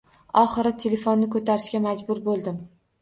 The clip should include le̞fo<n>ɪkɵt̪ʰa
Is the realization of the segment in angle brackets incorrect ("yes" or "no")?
yes